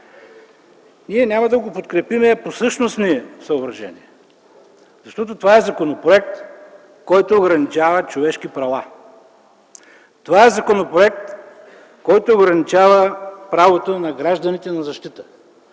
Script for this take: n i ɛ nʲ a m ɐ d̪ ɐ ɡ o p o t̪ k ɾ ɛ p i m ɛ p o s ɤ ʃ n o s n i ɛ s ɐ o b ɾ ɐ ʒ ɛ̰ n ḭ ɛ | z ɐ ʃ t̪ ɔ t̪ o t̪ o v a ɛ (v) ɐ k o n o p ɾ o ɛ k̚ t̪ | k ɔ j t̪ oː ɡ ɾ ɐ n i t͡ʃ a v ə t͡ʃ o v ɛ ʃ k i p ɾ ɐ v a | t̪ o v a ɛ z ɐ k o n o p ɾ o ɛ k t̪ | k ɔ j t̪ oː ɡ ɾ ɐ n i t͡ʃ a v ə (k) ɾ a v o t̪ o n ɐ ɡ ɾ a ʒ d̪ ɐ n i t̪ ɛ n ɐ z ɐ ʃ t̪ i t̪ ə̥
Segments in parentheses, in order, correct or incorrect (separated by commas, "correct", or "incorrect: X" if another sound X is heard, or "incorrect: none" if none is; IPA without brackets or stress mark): incorrect: z, incorrect: p